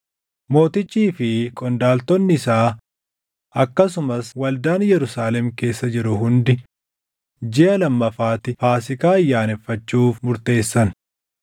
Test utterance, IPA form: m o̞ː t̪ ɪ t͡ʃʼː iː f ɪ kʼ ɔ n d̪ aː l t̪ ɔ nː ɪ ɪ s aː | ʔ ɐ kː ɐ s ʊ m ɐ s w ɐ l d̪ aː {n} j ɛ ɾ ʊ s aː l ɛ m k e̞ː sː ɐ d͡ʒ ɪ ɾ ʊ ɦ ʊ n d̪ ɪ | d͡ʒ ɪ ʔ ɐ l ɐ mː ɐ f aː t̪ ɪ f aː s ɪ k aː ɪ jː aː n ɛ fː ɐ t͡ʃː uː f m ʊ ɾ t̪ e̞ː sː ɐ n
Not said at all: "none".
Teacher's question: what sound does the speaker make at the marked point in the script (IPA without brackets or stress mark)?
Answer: n